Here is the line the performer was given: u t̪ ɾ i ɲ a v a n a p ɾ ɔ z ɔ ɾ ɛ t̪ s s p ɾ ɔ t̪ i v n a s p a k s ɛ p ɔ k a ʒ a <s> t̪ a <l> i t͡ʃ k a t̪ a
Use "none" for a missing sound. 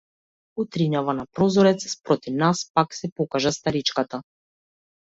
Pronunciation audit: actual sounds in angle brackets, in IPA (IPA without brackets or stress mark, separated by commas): s, ɾ